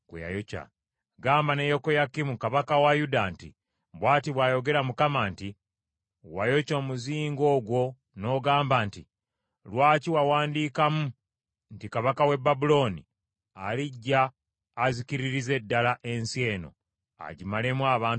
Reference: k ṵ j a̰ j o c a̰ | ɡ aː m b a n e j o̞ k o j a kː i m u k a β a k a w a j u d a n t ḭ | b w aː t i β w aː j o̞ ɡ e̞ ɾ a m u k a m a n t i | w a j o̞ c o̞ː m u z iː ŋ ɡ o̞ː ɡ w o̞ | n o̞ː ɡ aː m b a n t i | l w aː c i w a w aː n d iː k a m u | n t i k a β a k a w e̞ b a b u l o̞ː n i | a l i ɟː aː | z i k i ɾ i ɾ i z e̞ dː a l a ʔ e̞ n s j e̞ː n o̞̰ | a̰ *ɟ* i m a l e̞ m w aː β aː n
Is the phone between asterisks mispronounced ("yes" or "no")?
no